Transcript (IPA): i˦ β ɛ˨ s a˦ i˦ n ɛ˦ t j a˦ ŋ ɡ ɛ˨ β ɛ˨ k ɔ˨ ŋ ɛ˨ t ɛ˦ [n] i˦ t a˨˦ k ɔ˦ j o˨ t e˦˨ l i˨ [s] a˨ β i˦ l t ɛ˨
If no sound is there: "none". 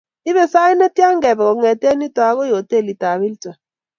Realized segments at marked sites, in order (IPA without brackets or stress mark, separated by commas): n, t